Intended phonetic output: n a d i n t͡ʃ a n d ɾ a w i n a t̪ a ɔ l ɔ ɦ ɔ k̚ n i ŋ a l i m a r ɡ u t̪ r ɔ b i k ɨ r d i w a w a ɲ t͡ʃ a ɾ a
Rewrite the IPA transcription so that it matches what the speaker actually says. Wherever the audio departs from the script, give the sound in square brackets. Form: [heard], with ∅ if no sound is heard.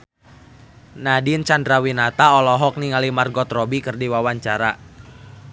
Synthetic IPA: n a d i n t͡ʃ a n d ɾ a w i n a t̪ a ɔ l ɔ ɦ ɔ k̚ n i ŋ a l i m a r ɡ [ɔ] t̪ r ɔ b i k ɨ r d i w a w a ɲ t͡ʃ a ɾ a